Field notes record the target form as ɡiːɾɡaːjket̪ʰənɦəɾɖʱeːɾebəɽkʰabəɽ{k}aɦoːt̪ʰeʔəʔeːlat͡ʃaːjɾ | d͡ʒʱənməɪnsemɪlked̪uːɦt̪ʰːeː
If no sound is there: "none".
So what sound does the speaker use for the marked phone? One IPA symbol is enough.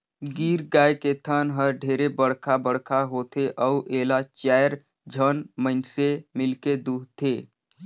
kʰ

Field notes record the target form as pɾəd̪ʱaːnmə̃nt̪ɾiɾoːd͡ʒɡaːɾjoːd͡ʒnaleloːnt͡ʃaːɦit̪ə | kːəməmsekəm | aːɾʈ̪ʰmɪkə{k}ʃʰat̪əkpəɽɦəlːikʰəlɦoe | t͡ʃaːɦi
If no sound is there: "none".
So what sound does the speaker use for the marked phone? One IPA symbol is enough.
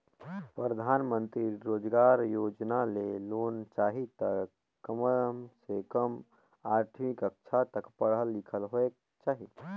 k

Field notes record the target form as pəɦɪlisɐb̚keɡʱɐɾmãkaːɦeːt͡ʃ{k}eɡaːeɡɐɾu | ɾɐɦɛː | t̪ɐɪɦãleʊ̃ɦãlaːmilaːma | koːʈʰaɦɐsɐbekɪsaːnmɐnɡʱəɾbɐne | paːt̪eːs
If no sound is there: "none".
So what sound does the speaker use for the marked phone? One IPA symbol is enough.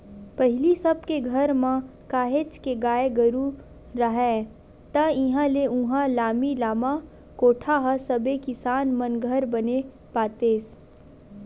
k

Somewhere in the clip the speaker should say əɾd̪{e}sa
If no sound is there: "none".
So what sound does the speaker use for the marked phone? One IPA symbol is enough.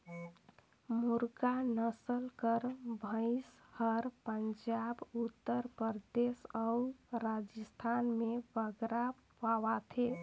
e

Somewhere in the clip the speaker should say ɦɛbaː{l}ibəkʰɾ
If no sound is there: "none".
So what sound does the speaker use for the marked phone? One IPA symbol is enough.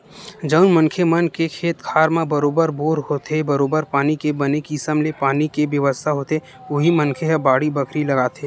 ɽ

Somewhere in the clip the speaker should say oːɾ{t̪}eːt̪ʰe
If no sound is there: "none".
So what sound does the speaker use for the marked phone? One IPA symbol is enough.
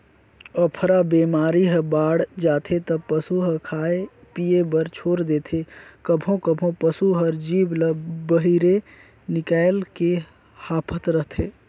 d̪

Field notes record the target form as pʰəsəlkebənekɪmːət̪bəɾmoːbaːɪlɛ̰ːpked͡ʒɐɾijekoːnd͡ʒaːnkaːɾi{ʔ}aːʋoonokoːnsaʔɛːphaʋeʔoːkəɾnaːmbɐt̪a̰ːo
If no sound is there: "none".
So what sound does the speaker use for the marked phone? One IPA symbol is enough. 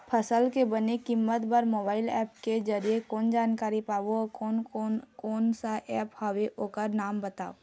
p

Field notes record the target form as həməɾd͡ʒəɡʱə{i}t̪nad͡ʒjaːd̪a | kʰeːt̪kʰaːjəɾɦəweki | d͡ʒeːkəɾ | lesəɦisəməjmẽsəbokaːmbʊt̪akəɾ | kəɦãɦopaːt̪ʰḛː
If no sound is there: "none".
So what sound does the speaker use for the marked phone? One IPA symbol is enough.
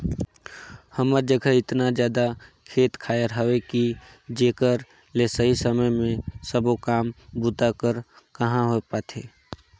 ɪ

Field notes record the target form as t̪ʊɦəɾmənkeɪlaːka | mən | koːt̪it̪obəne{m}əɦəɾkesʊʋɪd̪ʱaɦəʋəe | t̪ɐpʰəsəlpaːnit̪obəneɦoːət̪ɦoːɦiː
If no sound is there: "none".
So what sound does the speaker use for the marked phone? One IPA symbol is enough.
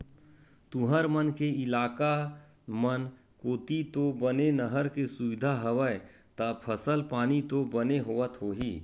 n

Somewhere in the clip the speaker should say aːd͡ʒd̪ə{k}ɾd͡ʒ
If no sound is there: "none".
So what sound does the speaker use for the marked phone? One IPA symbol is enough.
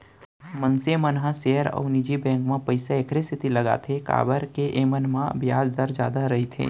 none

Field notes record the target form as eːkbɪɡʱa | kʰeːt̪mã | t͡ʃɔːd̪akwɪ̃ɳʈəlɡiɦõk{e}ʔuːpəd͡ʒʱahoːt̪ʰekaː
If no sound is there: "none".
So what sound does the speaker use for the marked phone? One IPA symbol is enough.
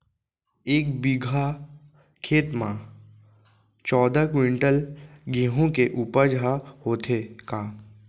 e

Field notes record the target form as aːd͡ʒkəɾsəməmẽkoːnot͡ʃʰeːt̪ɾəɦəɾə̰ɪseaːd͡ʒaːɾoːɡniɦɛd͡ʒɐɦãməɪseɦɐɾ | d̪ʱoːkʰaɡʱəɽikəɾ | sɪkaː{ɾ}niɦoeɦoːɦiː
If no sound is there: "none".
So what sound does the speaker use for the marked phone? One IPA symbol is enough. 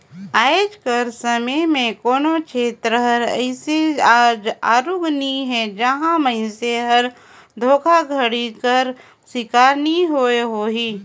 ɾ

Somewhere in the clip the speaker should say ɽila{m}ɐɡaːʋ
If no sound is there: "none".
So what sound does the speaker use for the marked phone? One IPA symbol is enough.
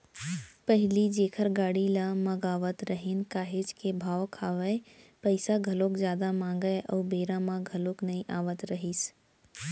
m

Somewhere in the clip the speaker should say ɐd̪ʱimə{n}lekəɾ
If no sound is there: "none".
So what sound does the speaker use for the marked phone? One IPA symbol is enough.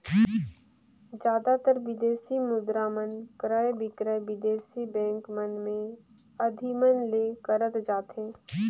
n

